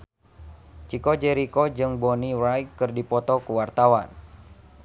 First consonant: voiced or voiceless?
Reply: voiceless